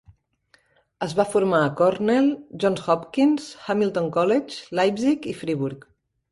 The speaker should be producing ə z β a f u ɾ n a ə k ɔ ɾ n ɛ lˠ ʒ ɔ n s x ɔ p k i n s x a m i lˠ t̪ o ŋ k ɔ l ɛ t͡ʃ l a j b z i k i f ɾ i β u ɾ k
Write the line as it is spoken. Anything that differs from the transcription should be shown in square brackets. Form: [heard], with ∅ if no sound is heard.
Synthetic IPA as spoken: ə z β a f u ɾ [m] a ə k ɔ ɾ n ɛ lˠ ʒ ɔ n s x ɔ p k i n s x a m i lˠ t̪ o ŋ k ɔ l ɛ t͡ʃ l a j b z i k i f ɾ i β u ɾ k